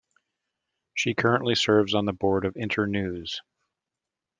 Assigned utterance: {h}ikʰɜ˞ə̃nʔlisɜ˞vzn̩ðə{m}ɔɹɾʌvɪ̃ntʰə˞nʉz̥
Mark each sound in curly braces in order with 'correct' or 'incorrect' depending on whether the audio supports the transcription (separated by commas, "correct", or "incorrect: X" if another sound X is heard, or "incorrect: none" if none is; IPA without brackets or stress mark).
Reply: incorrect: ʃ, incorrect: b